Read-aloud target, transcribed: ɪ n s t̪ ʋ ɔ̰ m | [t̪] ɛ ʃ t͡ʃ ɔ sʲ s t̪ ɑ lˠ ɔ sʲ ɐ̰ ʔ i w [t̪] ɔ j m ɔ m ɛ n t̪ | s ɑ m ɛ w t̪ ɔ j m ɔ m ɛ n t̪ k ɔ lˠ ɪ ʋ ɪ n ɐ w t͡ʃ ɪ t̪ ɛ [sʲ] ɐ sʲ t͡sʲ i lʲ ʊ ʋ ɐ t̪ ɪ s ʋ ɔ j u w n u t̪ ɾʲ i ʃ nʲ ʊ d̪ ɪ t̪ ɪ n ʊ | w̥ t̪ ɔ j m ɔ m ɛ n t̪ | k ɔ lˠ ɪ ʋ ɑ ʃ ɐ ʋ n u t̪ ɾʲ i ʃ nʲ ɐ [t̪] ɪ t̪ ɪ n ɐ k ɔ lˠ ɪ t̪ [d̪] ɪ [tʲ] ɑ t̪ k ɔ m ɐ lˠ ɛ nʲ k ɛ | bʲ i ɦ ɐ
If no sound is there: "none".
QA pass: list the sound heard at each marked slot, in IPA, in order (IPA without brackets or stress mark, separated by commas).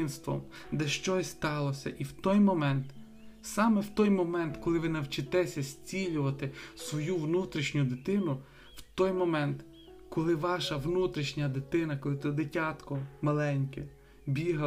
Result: d̪, t̪, sʲ, d̪, d̪, tʲ